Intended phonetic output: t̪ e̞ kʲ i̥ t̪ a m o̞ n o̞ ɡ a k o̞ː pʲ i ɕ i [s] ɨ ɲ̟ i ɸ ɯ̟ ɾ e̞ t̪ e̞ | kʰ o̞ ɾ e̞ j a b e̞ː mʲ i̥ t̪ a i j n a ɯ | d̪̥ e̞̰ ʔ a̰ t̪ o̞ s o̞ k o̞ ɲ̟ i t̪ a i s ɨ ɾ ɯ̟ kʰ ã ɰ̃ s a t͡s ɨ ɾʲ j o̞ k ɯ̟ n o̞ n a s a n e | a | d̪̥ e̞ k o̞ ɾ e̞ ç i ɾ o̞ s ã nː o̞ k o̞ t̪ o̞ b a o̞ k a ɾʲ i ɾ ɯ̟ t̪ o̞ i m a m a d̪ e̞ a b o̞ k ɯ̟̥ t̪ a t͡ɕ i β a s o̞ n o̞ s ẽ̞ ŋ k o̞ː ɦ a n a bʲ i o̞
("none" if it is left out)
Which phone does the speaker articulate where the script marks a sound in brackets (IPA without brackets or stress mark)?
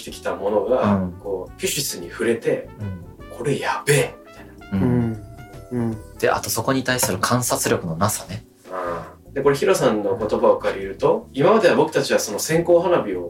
s